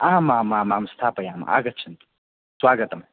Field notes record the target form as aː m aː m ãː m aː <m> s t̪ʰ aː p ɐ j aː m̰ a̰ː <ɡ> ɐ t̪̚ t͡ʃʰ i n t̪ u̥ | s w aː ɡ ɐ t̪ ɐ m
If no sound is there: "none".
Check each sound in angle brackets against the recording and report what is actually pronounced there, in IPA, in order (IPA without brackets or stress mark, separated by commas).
m, ɡ